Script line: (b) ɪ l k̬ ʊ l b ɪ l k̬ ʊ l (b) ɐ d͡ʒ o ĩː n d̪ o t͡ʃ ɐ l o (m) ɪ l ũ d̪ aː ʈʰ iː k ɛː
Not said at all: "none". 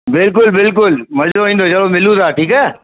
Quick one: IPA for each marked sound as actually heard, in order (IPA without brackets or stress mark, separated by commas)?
b, m, m